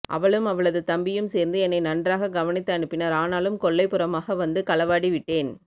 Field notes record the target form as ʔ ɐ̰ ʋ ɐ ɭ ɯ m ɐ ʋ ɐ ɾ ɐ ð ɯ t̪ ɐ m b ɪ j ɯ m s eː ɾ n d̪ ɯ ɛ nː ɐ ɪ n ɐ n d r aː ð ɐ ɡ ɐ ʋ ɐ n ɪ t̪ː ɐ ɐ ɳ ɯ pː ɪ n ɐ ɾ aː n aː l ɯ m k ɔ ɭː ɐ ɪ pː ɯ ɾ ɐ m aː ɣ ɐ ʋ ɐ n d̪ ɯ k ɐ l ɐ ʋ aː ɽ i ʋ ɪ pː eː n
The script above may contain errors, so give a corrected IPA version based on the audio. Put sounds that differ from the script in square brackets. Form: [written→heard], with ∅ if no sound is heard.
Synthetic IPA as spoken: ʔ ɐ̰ ʋ ɐ ɭ ɯ m ɐ ʋ ɐ [ɾ→ɭ] ɐ ð ɯ t̪ ɐ m b ɪ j ɯ m s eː ɾ n d̪ ɯ ɛ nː ɐ ɪ n ɐ n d r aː [ð→ɣ] ɐ ɡ ɐ ʋ ɐ n ɪ t̪ː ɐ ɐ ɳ ɯ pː ɪ n ɐ ɾ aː n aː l ɯ m k ɔ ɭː ɐ ɪ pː ɯ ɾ ɐ m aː ɣ ɐ ʋ ɐ n d̪ ɯ k ɐ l ɐ ʋ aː ɽ i ʋ ɪ [pː→ʈː] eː n